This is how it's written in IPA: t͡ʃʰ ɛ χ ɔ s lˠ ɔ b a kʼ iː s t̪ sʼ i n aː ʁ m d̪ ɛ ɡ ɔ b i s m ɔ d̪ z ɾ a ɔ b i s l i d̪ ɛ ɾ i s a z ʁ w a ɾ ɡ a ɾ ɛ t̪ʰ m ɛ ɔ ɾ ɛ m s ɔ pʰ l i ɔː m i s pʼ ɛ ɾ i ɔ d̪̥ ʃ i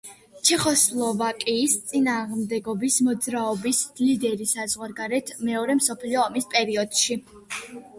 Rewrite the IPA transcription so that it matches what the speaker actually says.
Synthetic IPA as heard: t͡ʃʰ ɛ χ ɔ s lˠ ɔ v a kʼ iː s t̪ sʼ i n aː ʁ m d̪ ɛ ɡ ɔ b i s m ɔ d̪ z ɾ a ɔ b i s l i d̪ ɛ ɾ i s a z ʁ w a ɾ ɡ a ɾ ɛ t̪ʰ m ɛ ɔ ɾ ɛ m s ɔ pʰ l i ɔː m i s pʼ ɛ ɾ i ɔ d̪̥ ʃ i